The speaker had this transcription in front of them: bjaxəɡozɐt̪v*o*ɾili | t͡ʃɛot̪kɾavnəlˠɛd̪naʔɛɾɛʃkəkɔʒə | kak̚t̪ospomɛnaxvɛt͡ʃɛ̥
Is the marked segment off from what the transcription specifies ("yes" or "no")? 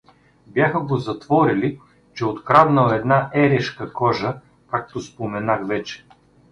yes